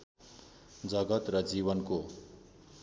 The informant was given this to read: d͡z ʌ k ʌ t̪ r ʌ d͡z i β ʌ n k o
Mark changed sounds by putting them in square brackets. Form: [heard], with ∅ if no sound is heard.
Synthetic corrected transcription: d͡z ʌ [ɡ] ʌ t̪ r ʌ d͡z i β ʌ n k o